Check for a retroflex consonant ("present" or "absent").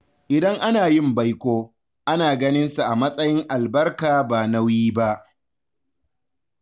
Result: absent